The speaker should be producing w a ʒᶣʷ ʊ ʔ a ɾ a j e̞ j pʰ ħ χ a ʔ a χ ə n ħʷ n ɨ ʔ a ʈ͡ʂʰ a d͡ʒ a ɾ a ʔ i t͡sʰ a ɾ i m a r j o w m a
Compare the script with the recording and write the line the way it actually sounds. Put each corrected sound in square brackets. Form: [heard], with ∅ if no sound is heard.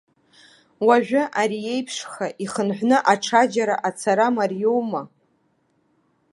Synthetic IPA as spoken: w a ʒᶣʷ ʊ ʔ a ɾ [i] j e̞ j pʰ [ʂ] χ a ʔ [i] χ ə n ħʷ n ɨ ʔ a ʈ͡ʂʰ a d͡ʒ a ɾ a ʔ [a] t͡sʰ a ɾ [a] m a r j o w m a